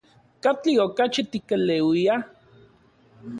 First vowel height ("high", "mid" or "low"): low